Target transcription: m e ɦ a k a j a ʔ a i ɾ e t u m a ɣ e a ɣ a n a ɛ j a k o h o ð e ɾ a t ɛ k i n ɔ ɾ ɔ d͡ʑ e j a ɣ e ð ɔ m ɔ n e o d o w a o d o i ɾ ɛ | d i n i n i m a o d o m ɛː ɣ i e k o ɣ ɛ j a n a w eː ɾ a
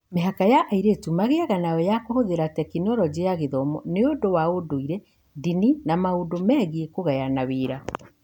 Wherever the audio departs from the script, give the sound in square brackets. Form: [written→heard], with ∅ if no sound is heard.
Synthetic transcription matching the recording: m e ɦ a k a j a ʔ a i ɾ e t u m a ɣ e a ɣ a n a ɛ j a k o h o ð e ɾ a t ɛ k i n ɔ ɾ ɔ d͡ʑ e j a ɣ e ð ɔ m ɔ n e o d o w a o d o i ɾ ɛ | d i n i n [i→a] m a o d o m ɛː ɣ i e k o ɣ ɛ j a n a w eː ɾ a